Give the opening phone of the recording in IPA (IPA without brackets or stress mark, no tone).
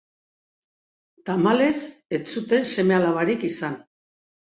t̪